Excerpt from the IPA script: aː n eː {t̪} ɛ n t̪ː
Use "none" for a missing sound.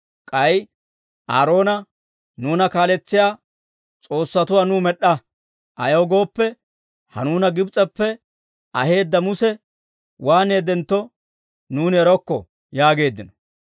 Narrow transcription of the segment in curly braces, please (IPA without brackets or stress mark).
d̪